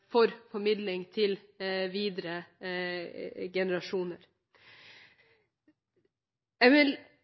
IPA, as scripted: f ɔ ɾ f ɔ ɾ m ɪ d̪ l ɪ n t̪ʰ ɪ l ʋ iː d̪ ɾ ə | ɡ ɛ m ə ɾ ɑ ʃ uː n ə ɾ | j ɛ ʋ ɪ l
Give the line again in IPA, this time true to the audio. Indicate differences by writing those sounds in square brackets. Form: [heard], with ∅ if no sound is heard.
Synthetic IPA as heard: f ɔ ɾ f ɔ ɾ m ɪ d̪ l ɪ [ŋ] t̪ʰ ɪ l ʋ iː d̪ ɾ ə | ɡ ɛ [n] ə ɾ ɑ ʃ uː n ə ɾ | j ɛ ʋ ɪ l